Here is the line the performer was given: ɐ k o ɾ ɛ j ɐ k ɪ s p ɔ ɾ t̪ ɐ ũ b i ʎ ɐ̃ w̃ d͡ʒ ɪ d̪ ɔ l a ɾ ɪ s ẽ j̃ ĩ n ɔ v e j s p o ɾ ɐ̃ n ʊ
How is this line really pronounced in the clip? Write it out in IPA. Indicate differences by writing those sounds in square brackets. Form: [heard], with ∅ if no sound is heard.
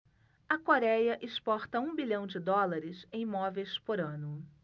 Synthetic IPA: ɐ k o ɾ ɛ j ɐ [ʔ] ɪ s p ɔ ɾ t̪ ɐ ũ b i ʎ ɐ̃ w̃ d͡ʒ ɪ d̪ ɔ l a ɾ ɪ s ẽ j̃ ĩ [m] ɔ v e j s p o ɾ ɐ̃ n ʊ